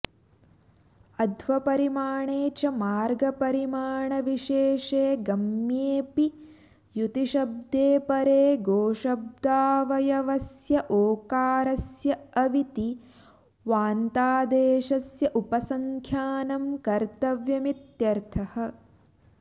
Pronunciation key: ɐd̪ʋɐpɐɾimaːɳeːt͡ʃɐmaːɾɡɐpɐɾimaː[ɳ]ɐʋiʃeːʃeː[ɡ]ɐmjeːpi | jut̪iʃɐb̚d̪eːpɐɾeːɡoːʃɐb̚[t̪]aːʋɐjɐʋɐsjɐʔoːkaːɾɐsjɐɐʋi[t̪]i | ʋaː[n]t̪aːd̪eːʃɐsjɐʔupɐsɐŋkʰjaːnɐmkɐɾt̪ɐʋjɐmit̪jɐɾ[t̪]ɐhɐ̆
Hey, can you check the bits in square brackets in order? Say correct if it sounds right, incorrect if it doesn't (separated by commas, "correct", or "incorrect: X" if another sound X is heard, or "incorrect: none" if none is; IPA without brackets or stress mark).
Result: correct, correct, incorrect: d̪, correct, correct, incorrect: t̪ʰ